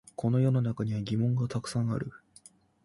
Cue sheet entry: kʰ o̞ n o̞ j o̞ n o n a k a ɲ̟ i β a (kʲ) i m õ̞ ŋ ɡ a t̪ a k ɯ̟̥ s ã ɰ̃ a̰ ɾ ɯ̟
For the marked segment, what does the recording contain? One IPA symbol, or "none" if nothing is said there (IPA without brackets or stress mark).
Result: ɡʲ